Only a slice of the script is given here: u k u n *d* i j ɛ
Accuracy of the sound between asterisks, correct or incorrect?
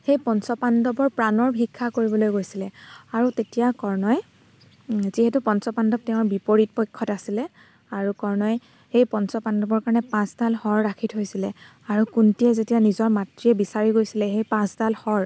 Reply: incorrect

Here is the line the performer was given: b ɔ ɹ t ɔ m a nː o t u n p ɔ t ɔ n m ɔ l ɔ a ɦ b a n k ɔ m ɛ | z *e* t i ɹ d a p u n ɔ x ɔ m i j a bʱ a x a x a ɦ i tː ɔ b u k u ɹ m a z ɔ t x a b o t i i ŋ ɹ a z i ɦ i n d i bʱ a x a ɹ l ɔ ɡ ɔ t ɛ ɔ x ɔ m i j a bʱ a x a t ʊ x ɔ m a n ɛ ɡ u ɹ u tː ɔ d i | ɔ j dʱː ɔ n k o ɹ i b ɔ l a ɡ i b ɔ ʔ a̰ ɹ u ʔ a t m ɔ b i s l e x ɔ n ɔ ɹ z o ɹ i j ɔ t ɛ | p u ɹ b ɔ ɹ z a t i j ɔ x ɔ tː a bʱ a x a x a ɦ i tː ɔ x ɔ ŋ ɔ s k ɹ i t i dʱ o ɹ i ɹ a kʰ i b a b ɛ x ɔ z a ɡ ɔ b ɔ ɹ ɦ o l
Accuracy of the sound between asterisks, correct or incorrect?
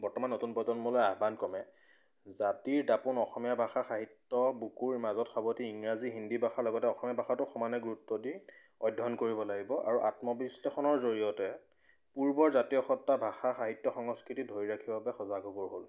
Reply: incorrect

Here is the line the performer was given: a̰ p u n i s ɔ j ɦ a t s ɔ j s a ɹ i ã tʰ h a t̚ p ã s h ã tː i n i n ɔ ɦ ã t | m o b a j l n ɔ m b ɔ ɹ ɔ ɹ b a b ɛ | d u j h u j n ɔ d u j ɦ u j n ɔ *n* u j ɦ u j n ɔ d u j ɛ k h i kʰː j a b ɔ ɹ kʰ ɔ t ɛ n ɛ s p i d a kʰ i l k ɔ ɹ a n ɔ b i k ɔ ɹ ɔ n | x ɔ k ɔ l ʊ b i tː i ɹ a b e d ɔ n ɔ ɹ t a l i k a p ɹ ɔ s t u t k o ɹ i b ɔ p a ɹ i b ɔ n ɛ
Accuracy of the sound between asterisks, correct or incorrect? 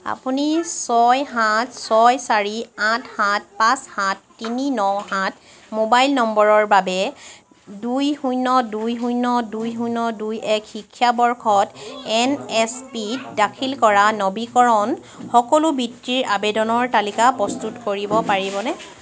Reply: incorrect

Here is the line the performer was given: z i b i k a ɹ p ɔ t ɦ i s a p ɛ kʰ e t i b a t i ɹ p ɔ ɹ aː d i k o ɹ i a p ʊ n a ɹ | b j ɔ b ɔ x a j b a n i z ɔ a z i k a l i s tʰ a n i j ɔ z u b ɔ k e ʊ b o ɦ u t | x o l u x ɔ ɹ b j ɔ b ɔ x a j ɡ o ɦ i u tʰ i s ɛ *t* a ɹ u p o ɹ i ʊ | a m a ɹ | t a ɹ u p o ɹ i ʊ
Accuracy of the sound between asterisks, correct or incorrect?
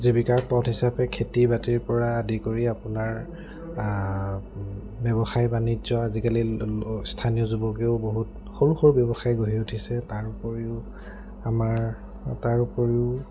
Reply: correct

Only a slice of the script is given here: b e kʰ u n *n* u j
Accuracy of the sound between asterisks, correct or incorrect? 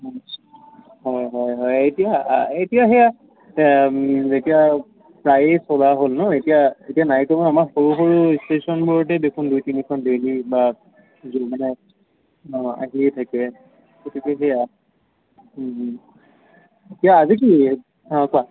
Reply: incorrect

